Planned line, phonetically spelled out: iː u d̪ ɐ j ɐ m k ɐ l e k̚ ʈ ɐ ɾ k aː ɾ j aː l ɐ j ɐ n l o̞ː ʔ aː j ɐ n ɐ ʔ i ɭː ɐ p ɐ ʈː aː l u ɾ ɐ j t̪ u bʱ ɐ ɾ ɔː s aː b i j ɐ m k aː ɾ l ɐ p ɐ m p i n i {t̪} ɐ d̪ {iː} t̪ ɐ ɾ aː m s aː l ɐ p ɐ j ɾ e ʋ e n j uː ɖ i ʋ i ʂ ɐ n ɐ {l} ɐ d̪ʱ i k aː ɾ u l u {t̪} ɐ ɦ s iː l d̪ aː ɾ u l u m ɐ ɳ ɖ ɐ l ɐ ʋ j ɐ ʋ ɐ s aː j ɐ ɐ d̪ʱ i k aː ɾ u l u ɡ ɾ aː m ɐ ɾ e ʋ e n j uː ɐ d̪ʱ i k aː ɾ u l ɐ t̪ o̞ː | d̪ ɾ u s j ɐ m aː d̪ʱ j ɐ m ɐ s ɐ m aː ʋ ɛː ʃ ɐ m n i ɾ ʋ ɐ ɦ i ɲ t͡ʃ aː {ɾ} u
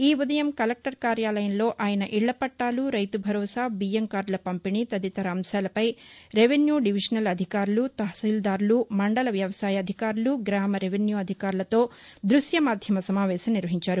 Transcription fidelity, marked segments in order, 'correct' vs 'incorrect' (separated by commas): correct, incorrect, correct, correct, correct